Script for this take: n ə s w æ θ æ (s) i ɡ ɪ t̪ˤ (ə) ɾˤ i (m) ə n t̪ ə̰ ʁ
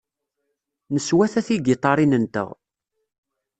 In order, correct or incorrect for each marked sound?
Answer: incorrect, incorrect, incorrect

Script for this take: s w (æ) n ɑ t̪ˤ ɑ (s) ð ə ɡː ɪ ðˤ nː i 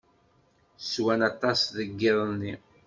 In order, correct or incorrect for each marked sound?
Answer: correct, correct

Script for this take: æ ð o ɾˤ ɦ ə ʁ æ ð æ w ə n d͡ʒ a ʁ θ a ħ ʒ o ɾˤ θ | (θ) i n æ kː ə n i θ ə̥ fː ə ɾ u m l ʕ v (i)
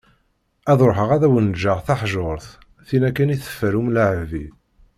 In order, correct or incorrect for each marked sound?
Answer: correct, correct

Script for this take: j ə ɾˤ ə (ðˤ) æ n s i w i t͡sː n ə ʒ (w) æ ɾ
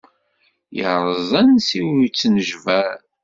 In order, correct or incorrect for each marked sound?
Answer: incorrect, incorrect

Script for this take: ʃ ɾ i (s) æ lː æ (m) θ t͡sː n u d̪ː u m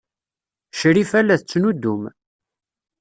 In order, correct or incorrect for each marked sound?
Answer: incorrect, incorrect

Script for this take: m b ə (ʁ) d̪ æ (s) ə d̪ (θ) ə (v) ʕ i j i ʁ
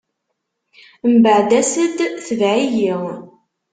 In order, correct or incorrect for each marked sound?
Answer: incorrect, correct, correct, correct

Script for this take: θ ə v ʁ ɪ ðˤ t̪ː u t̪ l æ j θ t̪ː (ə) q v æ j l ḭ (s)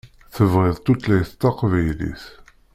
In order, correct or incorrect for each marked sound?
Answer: incorrect, incorrect

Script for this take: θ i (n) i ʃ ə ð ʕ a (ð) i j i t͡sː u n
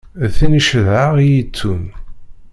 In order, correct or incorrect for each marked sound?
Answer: correct, incorrect

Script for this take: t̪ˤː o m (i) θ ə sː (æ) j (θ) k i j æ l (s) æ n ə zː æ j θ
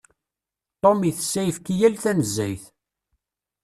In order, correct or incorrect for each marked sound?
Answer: correct, correct, incorrect, incorrect

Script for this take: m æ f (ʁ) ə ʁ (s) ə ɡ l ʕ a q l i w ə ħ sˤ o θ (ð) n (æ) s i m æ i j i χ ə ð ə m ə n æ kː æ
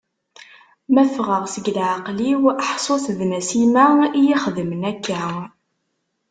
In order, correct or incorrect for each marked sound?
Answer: correct, correct, correct, correct

